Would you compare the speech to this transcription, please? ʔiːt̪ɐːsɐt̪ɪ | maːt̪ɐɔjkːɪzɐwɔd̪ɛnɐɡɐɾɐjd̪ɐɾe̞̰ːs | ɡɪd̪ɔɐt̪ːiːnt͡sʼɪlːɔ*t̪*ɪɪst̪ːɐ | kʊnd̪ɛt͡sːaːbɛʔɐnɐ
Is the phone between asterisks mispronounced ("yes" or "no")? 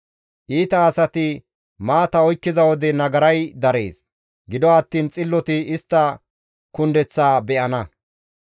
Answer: no